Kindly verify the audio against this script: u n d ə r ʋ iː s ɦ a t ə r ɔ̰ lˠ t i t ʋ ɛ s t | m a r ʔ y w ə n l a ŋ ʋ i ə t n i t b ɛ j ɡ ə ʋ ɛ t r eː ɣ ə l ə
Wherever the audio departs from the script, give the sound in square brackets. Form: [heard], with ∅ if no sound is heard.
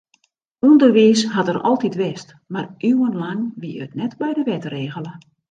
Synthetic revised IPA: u n d ə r ʋ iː s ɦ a t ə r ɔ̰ lˠ t i t ʋ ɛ s t | m a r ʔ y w ə n l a ŋ ʋ i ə t n [ɛ] t b ɛ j [d] ə ʋ ɛ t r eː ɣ ə l ə